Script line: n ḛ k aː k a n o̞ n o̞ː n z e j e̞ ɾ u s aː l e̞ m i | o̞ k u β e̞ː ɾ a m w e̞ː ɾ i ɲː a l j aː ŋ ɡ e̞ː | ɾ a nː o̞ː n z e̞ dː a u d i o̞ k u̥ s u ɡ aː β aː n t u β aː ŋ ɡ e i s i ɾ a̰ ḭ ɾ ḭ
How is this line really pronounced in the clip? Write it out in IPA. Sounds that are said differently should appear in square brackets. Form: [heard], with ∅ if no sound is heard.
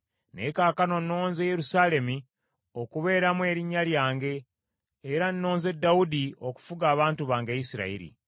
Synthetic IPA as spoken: n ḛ k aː k a n o̞ n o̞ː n z e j e̞ ɾ u s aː l e̞ m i | o̞ k u β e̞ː ɾ a m w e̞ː ɾ i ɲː a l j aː ŋ ɡ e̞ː | ɾ a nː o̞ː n z e̞ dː a u d i o̞ k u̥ [f] u ɡ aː β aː n t u β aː ŋ ɡ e i s i ɾ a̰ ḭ ɾ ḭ